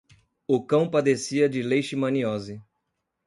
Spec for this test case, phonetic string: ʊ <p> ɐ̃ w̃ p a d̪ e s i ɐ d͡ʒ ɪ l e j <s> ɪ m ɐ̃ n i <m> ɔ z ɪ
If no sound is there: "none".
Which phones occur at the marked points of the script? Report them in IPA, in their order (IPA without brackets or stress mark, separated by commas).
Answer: k, ʃ, none